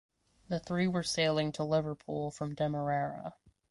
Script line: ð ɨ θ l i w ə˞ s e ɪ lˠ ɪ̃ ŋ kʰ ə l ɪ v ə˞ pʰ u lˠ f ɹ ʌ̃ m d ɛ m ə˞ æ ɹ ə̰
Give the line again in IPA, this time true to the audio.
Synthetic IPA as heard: ð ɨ θ ɹ i w ə˞ s e ɪ lˠ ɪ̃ ŋ tʰ ə l ɪ v ə˞ pʰ u lˠ f ɹ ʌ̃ m d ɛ m ə˞ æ ɹ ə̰